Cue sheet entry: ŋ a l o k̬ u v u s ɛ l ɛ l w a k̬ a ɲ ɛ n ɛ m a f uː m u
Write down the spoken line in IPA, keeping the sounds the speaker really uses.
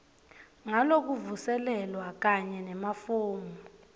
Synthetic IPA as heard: ŋ a l o k̬ u v u s ɛ l ɛ l w a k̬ a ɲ ɛ n ɛ m a f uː m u